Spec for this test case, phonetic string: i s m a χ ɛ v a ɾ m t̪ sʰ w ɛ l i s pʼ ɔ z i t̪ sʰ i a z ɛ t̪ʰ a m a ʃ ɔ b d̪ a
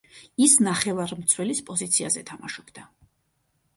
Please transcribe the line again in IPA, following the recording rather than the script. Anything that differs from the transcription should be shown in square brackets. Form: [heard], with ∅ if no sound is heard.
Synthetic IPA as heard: i s [n] a χ ɛ v a ɾ m t̪ sʰ w ɛ l i s pʼ ɔ z i t̪ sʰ i a z ɛ t̪ʰ a m a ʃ ɔ b d̪ a